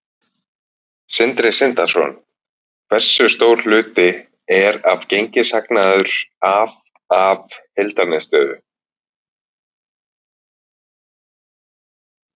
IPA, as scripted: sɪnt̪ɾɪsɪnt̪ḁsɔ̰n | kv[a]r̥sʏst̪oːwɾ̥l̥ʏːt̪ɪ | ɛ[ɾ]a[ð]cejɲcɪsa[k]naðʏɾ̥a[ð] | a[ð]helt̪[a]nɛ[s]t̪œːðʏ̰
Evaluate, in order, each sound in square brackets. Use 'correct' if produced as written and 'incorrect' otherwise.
incorrect, correct, incorrect, correct, incorrect, incorrect, correct, correct

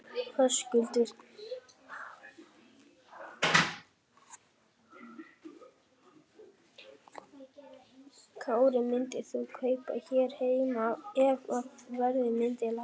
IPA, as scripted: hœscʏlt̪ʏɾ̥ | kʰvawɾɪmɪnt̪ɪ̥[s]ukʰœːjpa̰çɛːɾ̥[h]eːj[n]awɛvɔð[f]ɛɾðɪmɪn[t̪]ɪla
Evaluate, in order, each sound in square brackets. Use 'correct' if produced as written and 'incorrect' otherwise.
incorrect, correct, incorrect, incorrect, correct

